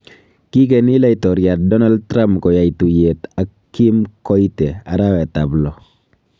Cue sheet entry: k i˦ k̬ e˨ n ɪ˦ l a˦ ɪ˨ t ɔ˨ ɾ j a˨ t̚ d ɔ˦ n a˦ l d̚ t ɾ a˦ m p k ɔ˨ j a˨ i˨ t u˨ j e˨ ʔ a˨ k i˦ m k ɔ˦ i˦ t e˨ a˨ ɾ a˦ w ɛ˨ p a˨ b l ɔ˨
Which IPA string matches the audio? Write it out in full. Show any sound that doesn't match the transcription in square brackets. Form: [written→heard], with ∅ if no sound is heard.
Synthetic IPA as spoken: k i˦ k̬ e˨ n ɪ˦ l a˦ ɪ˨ t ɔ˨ ɾ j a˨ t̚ d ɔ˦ n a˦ l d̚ t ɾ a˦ m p k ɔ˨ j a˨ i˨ t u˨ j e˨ [ʔ→t] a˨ k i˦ m k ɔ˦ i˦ t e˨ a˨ ɾ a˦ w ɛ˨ [p→t] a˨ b l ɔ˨